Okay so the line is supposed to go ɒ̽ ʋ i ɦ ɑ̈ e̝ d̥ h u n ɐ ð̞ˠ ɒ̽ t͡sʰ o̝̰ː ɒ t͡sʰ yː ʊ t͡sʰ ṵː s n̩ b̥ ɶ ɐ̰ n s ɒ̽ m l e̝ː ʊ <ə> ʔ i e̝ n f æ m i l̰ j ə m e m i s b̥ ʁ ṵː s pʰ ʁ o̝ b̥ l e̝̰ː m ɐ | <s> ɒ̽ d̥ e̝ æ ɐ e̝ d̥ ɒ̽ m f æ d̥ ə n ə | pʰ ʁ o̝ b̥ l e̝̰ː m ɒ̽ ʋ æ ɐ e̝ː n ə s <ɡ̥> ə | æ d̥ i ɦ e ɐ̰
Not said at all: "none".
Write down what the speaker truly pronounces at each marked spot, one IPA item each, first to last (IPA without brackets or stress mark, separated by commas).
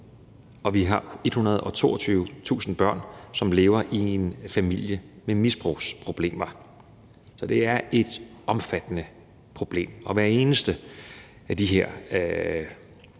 ɐ, s, d̥